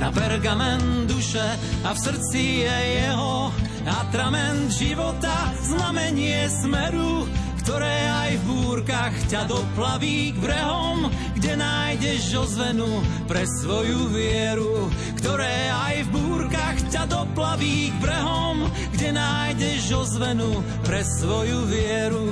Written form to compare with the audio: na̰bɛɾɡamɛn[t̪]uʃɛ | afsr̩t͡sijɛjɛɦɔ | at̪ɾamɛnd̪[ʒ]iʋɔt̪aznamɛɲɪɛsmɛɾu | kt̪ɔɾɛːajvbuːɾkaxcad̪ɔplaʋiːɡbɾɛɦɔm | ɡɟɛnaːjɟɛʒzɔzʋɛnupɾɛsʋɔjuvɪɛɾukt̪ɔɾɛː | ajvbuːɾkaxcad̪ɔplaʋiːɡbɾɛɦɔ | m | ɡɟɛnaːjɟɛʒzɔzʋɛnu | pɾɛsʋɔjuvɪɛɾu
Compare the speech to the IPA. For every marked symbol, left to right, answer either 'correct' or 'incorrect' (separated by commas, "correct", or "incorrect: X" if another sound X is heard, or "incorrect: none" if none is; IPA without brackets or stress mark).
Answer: incorrect: d̪, correct